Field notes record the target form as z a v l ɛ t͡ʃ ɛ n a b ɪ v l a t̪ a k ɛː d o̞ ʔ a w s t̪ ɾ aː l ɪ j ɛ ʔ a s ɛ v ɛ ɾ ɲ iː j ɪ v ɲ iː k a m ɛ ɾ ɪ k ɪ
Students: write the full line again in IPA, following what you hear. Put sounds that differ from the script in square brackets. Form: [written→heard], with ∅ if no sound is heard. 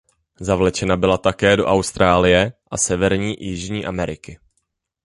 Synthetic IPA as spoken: z a v l ɛ t͡ʃ ɛ n a b ɪ [v→∅] l a t̪ a k ɛː d o̞ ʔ a w s t̪ ɾ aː l ɪ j ɛ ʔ a s ɛ v ɛ ɾ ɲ iː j ɪ [v→ʒ] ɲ iː [k→ʔ] a m ɛ ɾ ɪ k ɪ